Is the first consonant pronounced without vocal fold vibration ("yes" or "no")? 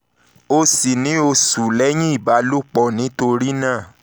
yes